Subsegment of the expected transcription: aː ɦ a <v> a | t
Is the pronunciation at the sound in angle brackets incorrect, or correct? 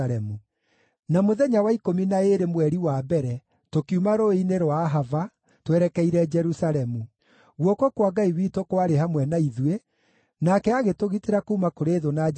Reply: correct